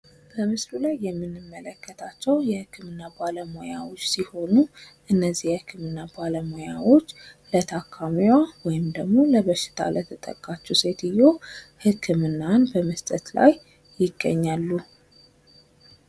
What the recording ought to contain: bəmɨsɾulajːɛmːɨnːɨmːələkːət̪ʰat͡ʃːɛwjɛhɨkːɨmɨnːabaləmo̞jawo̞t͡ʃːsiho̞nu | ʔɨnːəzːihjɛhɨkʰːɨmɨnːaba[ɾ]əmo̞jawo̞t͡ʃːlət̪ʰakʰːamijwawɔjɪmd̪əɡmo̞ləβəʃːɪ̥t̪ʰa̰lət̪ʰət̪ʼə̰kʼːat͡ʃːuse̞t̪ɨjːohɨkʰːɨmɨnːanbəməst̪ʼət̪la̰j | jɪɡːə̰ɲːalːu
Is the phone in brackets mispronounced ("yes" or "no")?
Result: yes